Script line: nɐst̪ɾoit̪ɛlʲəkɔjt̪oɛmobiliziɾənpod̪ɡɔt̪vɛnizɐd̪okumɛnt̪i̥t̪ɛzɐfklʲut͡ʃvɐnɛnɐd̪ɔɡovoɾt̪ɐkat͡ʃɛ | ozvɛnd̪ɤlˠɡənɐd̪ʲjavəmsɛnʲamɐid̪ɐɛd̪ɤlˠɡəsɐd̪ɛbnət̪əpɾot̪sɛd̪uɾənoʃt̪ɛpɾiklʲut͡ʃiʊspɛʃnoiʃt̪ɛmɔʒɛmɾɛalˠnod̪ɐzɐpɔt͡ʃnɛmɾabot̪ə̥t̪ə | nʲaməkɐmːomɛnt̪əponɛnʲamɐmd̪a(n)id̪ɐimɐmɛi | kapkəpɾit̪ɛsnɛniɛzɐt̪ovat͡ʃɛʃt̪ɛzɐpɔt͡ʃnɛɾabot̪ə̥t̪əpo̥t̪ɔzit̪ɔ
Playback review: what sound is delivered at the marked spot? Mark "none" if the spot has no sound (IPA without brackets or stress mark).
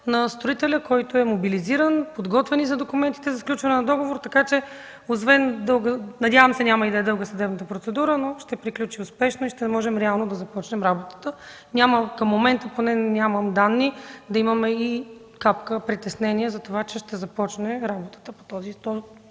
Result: nː